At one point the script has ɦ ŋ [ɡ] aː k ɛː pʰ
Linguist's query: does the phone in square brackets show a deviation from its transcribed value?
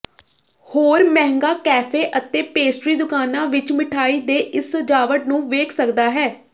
no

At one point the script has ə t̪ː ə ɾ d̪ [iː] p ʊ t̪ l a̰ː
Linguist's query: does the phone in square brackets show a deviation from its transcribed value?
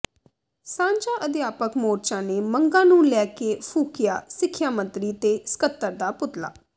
yes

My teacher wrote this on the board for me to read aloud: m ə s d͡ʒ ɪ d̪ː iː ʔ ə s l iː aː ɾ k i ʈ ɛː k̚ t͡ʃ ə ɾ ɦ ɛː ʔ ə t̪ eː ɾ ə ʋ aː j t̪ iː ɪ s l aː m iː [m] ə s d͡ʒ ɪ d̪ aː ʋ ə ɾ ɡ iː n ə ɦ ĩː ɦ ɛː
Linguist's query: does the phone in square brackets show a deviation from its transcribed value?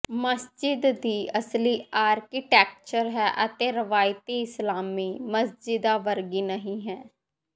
no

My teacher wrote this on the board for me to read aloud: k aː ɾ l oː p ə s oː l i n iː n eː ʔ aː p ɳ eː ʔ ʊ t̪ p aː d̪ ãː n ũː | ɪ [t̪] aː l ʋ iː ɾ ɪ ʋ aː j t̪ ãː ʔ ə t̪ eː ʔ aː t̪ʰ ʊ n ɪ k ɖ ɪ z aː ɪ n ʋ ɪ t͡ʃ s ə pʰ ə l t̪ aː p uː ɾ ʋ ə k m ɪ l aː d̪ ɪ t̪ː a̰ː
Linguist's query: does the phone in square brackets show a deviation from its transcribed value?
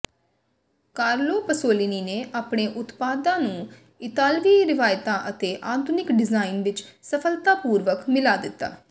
no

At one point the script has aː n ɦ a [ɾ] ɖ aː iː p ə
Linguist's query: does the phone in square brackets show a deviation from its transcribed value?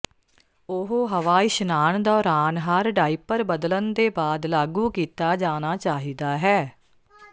no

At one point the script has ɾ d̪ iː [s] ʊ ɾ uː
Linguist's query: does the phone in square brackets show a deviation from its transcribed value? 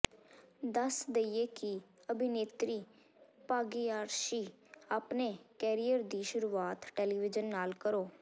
yes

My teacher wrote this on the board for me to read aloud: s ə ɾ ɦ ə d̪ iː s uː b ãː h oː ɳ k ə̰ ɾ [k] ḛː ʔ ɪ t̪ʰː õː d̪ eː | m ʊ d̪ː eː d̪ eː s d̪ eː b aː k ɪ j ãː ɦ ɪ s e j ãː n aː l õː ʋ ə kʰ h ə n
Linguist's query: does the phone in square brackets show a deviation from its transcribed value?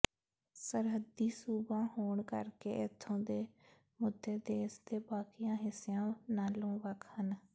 no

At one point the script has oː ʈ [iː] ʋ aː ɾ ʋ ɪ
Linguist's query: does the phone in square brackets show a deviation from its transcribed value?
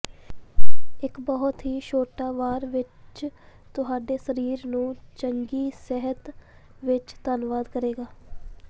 yes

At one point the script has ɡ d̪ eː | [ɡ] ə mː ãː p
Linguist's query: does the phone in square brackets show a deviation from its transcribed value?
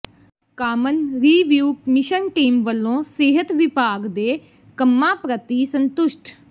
yes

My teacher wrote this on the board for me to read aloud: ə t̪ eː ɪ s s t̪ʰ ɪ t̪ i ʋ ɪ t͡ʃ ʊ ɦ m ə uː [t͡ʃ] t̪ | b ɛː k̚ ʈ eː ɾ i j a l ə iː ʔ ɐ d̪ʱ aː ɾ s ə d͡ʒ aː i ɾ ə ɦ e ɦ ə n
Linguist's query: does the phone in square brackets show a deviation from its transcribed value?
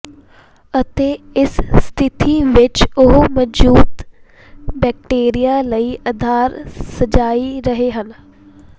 yes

